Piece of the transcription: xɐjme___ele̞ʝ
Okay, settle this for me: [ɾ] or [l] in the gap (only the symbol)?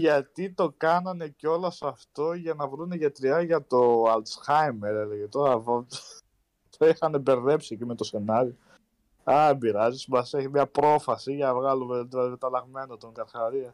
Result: ɾ